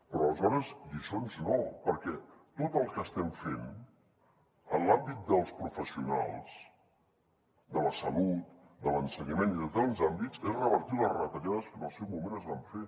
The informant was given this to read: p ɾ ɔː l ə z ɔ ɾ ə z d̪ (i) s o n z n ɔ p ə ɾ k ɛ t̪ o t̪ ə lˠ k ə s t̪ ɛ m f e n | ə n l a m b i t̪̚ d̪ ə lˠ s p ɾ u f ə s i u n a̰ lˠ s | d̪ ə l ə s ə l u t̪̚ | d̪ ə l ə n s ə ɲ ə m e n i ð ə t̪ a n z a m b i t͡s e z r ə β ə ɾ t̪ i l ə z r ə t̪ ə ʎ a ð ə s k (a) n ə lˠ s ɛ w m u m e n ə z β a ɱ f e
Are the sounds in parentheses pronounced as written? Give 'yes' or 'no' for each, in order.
yes, no

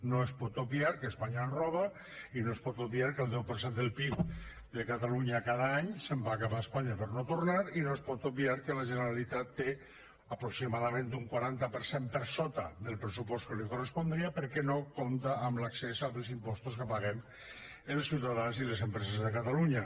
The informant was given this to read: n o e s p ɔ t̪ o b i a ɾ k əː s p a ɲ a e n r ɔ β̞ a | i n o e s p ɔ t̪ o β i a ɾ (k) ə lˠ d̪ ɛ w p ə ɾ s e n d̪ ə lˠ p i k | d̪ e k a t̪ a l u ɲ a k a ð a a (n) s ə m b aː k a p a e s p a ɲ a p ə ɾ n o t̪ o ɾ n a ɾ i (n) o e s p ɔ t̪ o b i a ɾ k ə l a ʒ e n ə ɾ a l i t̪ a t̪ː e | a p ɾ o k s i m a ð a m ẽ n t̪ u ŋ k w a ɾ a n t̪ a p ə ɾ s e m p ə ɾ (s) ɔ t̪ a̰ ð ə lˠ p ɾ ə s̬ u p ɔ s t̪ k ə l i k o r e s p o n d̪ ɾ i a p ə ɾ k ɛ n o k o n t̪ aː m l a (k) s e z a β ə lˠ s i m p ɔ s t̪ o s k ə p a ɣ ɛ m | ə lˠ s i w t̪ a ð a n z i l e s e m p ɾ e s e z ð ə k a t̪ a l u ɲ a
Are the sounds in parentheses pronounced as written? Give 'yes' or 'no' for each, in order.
yes, no, yes, yes, yes

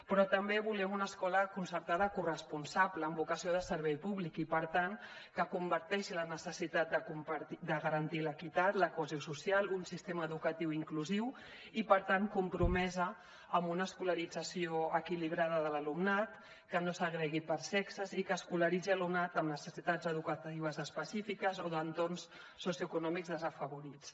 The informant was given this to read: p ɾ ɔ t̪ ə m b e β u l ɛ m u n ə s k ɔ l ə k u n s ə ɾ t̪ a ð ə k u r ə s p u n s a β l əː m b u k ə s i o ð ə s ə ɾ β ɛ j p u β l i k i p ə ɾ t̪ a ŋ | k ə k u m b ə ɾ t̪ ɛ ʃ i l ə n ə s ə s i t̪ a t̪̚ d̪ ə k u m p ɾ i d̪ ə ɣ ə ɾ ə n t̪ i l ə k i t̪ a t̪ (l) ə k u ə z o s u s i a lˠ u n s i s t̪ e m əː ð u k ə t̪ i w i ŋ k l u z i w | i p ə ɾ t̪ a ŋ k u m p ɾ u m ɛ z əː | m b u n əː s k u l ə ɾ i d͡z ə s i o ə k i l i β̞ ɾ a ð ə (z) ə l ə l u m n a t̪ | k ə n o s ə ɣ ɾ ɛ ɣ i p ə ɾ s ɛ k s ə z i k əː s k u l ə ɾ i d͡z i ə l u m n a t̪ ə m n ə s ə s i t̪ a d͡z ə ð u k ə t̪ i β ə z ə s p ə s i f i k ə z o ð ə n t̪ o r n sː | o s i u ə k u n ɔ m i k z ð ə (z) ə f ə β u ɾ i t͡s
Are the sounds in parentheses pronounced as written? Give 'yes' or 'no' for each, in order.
yes, no, yes

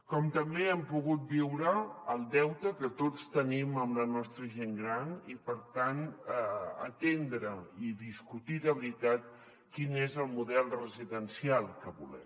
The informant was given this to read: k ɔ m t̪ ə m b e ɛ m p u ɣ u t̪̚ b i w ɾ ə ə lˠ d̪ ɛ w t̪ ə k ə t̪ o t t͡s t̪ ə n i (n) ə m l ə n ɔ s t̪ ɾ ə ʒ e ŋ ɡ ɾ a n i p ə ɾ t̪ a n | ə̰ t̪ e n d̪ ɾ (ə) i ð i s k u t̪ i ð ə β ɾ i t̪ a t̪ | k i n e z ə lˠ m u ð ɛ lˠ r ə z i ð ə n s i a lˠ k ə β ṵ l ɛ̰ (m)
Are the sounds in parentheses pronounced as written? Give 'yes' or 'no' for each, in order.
no, yes, yes

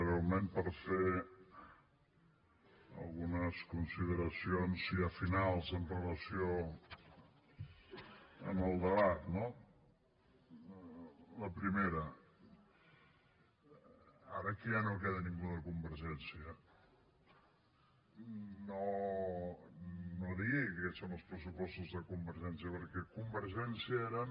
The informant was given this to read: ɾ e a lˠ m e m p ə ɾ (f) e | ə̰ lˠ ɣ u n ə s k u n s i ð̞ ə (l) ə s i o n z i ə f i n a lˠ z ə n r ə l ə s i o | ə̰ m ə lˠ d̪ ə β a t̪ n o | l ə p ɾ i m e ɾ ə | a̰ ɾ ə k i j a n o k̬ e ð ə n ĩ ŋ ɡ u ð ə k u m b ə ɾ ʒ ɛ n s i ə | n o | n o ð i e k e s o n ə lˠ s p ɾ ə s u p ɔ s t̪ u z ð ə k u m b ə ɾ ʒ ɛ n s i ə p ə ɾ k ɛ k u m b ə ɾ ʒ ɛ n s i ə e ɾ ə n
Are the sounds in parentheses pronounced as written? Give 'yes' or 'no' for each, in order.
yes, no

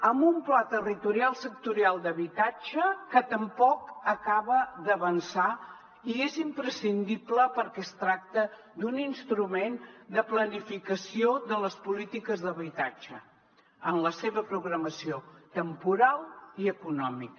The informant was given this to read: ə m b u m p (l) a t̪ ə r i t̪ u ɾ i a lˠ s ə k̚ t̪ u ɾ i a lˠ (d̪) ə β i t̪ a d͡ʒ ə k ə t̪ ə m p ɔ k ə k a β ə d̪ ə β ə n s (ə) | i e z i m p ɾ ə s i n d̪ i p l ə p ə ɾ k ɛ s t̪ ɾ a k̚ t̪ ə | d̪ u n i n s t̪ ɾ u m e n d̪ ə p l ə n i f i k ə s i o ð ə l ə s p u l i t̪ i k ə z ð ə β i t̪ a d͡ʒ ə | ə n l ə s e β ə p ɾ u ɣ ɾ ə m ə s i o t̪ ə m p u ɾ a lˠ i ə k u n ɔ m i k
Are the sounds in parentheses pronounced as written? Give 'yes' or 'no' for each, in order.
yes, yes, no

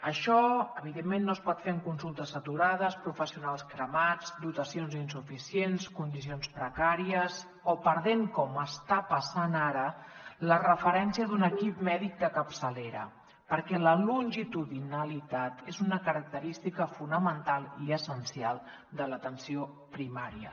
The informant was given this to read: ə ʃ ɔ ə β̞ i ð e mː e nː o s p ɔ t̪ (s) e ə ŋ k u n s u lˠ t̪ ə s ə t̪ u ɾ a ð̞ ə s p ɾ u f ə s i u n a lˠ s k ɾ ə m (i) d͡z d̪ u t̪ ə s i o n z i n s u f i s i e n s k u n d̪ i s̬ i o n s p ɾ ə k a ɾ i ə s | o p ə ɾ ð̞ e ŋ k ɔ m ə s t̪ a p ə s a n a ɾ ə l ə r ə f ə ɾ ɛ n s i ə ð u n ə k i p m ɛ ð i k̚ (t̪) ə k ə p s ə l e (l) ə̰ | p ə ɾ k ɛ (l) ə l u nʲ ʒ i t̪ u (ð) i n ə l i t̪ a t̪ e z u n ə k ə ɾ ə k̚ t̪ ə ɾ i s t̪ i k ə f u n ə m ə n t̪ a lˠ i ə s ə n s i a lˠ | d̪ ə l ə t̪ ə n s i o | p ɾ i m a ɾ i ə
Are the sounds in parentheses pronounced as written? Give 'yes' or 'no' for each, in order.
no, no, no, no, yes, yes

